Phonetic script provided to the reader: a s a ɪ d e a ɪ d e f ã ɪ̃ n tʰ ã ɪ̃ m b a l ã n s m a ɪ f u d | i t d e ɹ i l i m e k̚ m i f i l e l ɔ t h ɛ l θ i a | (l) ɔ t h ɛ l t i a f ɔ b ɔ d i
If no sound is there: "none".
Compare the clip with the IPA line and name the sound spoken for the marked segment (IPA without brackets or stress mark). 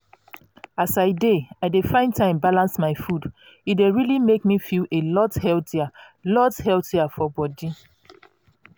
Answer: l